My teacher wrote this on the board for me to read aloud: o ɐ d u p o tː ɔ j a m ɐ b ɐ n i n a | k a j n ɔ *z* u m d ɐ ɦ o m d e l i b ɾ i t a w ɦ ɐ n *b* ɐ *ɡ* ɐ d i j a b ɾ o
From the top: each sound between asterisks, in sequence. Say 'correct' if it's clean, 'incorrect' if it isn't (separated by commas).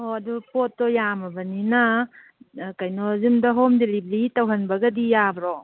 correct, correct, correct